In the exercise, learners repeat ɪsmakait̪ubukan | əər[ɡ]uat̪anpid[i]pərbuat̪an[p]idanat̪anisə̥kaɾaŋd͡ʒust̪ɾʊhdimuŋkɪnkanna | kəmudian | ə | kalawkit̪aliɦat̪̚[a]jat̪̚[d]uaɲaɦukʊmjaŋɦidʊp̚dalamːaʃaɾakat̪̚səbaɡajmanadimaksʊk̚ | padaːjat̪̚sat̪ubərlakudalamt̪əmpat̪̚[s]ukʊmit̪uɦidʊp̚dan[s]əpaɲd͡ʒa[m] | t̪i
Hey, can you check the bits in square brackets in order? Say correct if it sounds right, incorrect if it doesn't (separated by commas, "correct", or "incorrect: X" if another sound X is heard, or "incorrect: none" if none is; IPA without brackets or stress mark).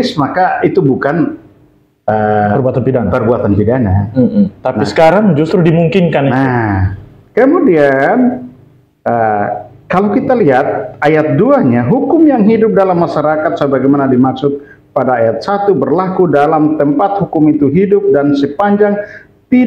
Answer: incorrect: b, incorrect: a, correct, correct, correct, incorrect: h, correct, incorrect: ŋ